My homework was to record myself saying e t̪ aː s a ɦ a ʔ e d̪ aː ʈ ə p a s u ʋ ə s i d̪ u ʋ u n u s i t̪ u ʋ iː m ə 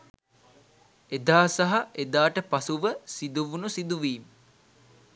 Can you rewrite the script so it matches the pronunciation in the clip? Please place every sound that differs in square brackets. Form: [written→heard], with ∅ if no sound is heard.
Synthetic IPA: e [t̪→d̪] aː s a ɦ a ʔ e d̪ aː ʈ ə p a s u ʋ ə s i d̪ u ʋ u n u s i [t̪→d̪] u ʋ iː m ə